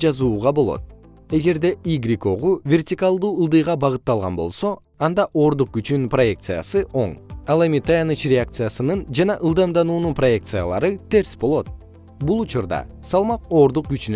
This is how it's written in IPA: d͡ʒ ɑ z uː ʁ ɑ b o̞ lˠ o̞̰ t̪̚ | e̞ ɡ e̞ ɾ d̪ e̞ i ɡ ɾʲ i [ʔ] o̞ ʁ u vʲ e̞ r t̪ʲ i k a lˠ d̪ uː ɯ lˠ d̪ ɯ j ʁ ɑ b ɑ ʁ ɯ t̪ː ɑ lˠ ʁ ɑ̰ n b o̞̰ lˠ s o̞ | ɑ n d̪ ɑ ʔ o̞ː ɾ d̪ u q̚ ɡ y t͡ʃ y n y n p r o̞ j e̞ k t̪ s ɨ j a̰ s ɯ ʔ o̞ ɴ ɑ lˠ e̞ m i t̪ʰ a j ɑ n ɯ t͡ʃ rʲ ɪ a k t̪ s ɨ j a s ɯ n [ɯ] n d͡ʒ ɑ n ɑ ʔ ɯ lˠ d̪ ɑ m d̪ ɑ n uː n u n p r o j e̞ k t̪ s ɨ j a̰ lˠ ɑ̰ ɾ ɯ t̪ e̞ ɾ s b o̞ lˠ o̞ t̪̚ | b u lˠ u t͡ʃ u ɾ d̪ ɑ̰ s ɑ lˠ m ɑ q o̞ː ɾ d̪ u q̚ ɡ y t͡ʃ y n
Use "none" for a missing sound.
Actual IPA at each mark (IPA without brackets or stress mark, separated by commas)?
k, ɯ